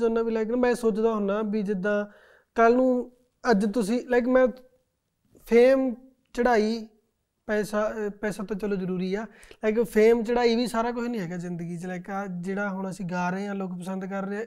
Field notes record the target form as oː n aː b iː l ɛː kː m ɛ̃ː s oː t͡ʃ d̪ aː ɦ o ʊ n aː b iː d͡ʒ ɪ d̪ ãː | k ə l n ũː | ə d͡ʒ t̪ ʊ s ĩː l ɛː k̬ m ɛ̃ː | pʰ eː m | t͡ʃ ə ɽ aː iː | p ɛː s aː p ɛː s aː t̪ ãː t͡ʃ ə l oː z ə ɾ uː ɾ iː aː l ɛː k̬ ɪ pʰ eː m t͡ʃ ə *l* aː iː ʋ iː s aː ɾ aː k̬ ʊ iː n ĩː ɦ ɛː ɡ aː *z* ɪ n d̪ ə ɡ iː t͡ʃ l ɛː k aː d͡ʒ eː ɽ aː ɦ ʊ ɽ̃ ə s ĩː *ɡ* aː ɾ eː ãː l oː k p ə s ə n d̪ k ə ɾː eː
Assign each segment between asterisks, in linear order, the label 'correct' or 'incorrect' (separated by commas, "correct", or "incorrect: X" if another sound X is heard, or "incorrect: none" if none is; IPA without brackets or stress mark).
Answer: incorrect: ɽ, correct, correct